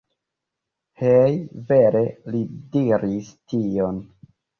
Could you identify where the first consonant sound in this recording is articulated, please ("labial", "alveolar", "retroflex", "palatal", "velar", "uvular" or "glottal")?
glottal